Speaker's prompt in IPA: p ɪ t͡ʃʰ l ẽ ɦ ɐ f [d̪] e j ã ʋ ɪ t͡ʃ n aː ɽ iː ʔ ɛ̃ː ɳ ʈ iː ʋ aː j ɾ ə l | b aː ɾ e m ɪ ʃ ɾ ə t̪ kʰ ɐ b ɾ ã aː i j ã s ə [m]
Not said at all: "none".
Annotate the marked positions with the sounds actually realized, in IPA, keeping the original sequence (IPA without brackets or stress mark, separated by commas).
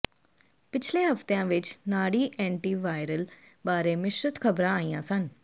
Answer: t̪, n